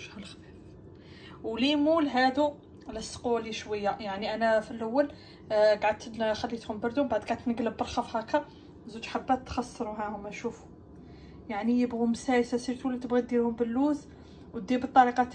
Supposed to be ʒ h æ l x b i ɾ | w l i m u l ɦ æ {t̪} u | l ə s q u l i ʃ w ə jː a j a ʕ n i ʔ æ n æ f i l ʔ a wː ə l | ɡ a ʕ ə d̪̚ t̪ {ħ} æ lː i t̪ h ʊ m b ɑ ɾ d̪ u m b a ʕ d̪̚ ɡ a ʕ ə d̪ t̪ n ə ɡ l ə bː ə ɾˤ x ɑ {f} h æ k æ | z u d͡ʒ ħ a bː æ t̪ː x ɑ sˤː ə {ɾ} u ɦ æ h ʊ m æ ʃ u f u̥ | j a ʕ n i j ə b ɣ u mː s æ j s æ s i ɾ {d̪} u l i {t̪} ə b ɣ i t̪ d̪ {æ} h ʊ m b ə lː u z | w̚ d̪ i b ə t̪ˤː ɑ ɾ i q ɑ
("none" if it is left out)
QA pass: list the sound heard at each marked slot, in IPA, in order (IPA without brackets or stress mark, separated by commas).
d̪, x, f, ɾ, t̪, t̪, i